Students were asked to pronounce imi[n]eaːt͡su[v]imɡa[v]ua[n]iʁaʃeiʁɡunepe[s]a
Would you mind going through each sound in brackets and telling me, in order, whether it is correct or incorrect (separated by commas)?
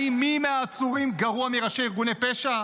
incorrect, incorrect, incorrect, incorrect, incorrect